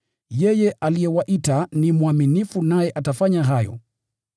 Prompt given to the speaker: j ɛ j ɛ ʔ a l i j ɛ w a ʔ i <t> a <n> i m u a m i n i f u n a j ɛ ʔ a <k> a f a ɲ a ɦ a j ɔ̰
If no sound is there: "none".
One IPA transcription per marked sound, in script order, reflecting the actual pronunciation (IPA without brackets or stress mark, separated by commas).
t, n, t